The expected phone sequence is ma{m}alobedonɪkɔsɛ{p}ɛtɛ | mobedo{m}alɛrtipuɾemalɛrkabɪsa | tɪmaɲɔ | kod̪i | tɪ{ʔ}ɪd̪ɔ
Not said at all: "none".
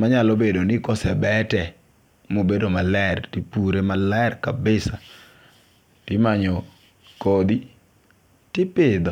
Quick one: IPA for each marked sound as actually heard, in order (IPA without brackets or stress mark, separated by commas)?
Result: ɲ, b, m, p